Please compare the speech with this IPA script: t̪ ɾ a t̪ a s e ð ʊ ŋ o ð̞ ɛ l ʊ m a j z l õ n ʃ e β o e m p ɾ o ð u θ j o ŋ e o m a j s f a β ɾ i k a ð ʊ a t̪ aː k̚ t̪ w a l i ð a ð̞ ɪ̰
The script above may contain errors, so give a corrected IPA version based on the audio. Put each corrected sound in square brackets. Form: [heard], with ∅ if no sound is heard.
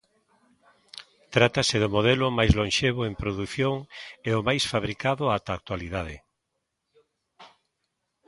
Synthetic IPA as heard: t̪ ɾ a t̪ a s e ð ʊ [m] o ð̞ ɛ l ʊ m a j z l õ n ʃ e β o e m p ɾ o ð u θ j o ŋ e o m a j s f a β ɾ i k a ð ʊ a t̪ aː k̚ t̪ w a l i ð a ð̞ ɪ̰